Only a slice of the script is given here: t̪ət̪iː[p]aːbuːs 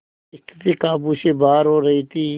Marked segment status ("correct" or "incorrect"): incorrect